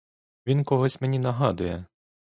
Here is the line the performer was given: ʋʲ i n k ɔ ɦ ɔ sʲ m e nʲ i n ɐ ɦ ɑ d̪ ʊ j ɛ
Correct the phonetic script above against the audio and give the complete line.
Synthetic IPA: ʋʲ i n k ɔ ɦ ɔ sʲ m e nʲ i n ɐ ɦ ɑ d̪ ʊ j ɛ